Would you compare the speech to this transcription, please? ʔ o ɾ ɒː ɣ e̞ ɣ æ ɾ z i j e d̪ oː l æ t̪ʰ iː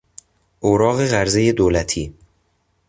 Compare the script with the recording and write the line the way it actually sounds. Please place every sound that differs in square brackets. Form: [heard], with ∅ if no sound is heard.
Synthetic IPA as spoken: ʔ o ɾ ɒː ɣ e̞ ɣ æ ɾ z [e] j e d̪ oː l æ t̪ʰ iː

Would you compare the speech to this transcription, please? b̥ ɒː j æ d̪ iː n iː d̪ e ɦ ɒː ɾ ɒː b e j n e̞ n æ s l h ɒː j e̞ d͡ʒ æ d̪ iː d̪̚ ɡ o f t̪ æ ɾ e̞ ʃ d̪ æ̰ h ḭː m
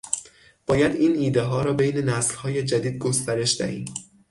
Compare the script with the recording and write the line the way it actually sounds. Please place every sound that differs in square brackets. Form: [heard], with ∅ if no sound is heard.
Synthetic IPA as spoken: b̥ ɒː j æ d̪ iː n iː d̪ e ɦ ɒː ɾ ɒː b e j n e̞ n æ s l h ɒː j e̞ d͡ʒ æ d̪ iː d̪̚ ɡ o [s] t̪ æ ɾ e̞ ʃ d̪ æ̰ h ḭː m

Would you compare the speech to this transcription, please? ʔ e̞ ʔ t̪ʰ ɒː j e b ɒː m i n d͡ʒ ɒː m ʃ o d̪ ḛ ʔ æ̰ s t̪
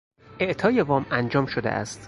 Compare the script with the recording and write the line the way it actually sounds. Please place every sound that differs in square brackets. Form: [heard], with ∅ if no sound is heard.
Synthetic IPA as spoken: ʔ e̞ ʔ t̪ʰ ɒː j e [v] ɒː m [æ] n d͡ʒ ɒː m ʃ o d̪ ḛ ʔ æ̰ s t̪

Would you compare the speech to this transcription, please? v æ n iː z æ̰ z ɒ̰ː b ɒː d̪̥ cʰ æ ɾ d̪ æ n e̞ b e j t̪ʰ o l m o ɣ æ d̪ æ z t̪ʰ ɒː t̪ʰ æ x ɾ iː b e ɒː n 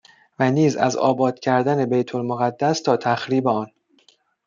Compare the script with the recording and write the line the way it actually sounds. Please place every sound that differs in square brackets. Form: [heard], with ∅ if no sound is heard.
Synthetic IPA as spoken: v æ n iː z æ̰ z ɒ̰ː b ɒː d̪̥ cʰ æ ɾ d̪ æ n e̞ b e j t̪ʰ o l m o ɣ æ [d̪ː] æ [s] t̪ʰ ɒː t̪ʰ æ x ɾ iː b e ɒː n

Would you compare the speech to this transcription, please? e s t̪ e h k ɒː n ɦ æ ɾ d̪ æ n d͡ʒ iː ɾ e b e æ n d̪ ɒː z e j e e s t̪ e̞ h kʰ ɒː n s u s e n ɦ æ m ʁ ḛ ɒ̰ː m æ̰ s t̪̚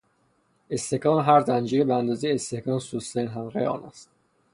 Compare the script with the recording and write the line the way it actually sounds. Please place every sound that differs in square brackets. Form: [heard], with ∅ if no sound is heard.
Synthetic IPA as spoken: e s t̪ e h k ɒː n ɦ æ ɾ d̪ æ n d͡ʒ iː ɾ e b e æ n d̪ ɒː z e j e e s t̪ e̞ h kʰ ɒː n s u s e n ɦ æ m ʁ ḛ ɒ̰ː [n] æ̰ s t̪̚

